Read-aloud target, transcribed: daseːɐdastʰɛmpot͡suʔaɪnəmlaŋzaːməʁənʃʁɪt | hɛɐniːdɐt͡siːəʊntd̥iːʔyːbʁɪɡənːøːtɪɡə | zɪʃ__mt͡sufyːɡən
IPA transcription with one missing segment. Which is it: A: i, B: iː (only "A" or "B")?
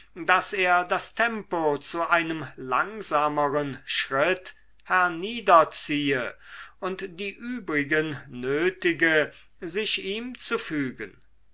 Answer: B